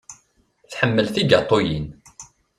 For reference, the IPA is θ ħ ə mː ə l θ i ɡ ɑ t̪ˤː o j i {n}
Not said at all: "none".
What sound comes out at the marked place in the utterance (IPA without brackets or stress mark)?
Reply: n